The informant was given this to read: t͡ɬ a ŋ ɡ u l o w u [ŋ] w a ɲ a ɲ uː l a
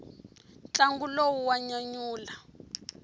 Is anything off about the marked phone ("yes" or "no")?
yes